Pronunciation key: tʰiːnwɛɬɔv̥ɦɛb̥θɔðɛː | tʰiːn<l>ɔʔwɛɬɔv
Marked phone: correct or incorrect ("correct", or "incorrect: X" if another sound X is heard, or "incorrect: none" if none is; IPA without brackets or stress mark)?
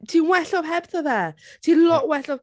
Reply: correct